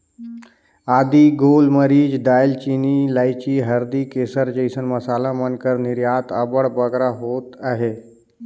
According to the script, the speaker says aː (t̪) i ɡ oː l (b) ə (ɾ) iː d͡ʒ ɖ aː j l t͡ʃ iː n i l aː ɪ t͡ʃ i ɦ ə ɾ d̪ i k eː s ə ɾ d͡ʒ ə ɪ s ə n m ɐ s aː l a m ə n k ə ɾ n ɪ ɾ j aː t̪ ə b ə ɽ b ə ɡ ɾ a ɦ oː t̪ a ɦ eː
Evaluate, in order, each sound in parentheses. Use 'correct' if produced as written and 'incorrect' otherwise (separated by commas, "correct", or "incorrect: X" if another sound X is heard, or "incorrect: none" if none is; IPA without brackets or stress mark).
incorrect: d̪, incorrect: m, correct